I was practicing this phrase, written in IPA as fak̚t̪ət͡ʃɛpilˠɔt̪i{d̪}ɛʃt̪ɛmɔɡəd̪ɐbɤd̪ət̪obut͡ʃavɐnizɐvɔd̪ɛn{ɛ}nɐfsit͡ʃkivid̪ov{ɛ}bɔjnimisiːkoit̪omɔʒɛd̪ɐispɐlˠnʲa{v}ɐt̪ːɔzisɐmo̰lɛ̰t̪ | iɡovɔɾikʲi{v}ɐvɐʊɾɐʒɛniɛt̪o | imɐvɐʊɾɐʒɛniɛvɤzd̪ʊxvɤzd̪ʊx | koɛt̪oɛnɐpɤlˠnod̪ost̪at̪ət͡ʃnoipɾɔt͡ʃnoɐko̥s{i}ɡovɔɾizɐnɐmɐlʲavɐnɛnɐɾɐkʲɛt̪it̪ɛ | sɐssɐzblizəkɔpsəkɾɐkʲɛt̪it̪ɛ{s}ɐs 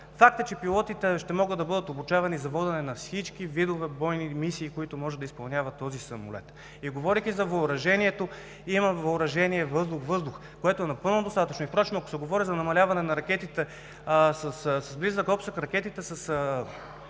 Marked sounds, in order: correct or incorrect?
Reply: incorrect, correct, correct, correct, incorrect, incorrect, correct

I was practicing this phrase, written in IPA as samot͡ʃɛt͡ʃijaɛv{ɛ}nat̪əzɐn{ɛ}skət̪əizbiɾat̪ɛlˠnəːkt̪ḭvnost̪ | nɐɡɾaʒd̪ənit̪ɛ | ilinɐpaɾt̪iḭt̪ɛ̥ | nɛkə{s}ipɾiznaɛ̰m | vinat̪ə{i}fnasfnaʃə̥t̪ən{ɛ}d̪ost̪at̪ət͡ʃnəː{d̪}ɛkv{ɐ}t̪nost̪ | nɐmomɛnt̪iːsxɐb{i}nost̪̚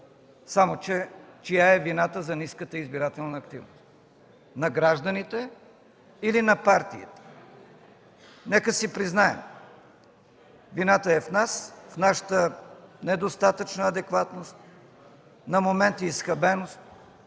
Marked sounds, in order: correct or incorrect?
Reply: incorrect, incorrect, correct, incorrect, correct, correct, incorrect, incorrect

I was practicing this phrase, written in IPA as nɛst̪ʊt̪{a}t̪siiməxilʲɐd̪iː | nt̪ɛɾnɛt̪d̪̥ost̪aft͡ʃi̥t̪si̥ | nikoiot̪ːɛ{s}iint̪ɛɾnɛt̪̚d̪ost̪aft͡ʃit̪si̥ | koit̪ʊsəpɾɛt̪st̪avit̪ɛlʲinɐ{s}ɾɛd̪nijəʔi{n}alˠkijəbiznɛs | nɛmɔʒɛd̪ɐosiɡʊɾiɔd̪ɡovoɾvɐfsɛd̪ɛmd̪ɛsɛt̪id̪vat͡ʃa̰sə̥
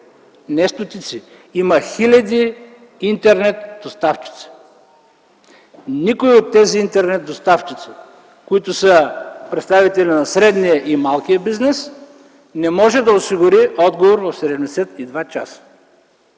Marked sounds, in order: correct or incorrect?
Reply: incorrect, incorrect, correct, incorrect

